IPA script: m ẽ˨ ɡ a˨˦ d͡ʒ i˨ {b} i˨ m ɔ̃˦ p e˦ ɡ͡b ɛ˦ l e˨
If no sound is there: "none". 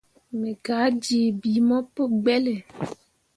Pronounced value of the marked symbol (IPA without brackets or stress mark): b